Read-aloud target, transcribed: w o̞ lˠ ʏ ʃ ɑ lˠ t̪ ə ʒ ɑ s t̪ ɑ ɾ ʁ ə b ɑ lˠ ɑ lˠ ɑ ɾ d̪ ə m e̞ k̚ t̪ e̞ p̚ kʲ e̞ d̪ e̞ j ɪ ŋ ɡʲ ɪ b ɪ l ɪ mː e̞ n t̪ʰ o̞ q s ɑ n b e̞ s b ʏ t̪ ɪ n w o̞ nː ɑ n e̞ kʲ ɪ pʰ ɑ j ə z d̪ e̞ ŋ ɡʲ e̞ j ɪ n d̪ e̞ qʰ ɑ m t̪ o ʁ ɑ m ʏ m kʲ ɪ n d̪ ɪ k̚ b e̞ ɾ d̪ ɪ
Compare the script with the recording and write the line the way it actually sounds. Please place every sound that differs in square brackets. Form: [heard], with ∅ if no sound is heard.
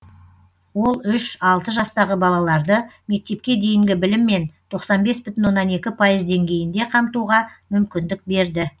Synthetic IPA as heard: w o̞ lˠ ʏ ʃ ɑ lˠ t̪ ə ʒ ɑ s t̪ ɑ [∅] ʁ ə b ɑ lˠ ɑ lˠ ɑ ɾ d̪ ə m e̞ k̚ t̪ e̞ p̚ kʲ e̞ d̪ e̞ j ɪ ŋ ɡʲ ɪ b ɪ l ɪ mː e̞ n t̪ʰ o̞ q s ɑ n b e̞ s b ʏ t̪ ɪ n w o̞ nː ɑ n e̞ kʲ ɪ pʰ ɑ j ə z d̪ e̞ ŋ ɡʲ e̞ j ɪ n d̪ e̞ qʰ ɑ m t̪ [u] ʁ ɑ m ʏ m kʲ ɪ n d̪ ɪ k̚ b e̞ ɾ d̪ ɪ